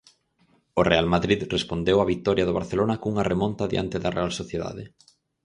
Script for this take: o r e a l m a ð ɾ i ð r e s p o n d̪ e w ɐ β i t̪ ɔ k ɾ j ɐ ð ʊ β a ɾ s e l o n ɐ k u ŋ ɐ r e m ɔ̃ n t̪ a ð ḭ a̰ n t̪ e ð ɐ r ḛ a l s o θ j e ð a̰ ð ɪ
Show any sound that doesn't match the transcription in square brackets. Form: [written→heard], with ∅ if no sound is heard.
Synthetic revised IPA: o r e a l m a ð ɾ i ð r e s p o n d̪ e w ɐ β i t̪ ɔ [k→∅] ɾ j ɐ ð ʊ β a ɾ [s→θ] e l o n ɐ k u ŋ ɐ r e m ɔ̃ n t̪ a ð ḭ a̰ n t̪ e ð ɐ r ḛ a l s o θ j e ð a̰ ð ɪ